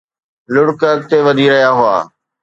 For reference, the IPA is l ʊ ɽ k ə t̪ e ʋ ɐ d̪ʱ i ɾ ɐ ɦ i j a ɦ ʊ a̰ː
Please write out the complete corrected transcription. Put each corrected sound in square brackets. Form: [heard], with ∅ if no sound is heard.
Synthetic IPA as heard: l ʊ ɽ k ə t̪ e ʋ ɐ d̪ʱ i ɾ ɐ ɦ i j a ɦ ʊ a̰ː